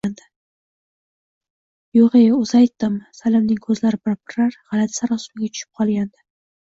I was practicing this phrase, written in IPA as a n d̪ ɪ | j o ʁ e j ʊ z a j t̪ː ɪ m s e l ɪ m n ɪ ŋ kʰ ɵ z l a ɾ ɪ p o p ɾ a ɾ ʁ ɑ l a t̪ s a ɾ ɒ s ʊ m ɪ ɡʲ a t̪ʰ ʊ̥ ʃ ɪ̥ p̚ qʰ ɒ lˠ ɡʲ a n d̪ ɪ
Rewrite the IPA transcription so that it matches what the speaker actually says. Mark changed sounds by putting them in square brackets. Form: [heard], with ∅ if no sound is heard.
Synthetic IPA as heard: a n d̪ ɪ | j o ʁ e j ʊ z a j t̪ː ɪ m s [a] l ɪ m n ɪ ŋ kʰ ɵ z l a ɾ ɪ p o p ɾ a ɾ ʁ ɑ l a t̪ s a ɾ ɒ s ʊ m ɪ ɡʲ a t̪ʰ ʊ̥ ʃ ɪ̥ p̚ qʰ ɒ lˠ ɡʲ a n d̪ ɪ

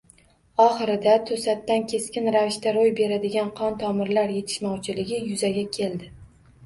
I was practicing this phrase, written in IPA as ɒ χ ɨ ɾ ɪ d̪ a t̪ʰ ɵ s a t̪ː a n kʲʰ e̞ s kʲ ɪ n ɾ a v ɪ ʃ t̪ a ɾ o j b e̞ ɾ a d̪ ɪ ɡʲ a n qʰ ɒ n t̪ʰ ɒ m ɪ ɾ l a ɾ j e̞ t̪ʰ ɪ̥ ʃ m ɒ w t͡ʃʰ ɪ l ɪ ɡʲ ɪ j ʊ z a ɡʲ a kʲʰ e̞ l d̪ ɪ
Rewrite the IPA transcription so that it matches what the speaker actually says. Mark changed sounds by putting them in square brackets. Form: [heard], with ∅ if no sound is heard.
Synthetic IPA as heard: ɒ χ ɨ ɾ ɪ d̪ a t̪ʰ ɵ s a t̪ː a n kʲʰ e̞ s kʲ ɪ n ɾ a v ɪ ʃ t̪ a ɾ o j b e̞ ɾ a d̪ ɪ ɡʲ a n qʰ ɒ n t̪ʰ ɒ m ɪ ɾ l a ɾ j e̞ t̪ʰ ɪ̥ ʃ m ɒ w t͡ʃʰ ɪ l ɪ ɡʲ ɪ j ʊ z a ɡʲ a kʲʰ e̞ l d̪ ɪ

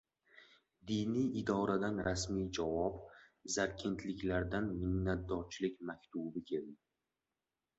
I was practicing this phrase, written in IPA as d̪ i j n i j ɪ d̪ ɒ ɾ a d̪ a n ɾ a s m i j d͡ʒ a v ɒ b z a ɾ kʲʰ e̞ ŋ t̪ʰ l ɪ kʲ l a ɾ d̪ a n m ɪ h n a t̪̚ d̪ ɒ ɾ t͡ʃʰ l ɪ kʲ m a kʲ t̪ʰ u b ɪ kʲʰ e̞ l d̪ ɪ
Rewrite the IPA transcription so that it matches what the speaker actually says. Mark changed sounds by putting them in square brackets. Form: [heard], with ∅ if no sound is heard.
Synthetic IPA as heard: d̪ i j n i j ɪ d̪ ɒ ɾ a d̪ a n ɾ a s m i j d͡ʒ a v ɒ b z a ɾ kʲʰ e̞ [n] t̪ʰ l ɪ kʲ l a ɾ d̪ a n m ɪ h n a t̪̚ d̪ ɒ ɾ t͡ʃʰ l ɪ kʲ m a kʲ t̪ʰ u b ɪ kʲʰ e̞ l d̪ ɪ

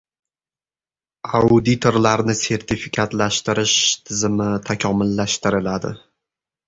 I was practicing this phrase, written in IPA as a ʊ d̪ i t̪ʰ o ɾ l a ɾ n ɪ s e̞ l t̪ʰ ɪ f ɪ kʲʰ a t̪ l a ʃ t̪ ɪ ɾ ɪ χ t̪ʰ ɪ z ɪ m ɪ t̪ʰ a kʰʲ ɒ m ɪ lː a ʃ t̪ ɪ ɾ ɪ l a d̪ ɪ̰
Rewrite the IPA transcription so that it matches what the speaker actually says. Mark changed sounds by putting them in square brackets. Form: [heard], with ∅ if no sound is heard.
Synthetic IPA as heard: a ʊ d̪ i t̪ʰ o ɾ l a ɾ n ɪ s e̞ [ɾ] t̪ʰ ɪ f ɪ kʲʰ a t̪ l a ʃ t̪ ɪ ɾ ɪ [ʃ] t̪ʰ ɪ z ɪ m ɪ t̪ʰ a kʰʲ ɒ m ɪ lː a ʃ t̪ ɪ ɾ ɪ l a d̪ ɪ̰

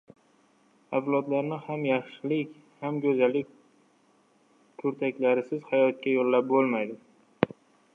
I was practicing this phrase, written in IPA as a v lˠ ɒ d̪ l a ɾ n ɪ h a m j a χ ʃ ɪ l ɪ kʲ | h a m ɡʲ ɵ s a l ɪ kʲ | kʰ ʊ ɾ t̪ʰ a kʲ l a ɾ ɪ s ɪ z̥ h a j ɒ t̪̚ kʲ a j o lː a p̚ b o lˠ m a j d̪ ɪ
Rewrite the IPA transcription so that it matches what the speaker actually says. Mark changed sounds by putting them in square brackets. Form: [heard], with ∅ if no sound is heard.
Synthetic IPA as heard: a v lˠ ɒ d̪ l a ɾ n ɪ h a m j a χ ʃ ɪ l ɪ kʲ | h a m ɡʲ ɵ [z] a l ɪ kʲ | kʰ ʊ ɾ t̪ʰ a kʲ l a ɾ ɪ s ɪ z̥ h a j ɒ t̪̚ kʲ a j o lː a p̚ b o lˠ m a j d̪ ɪ

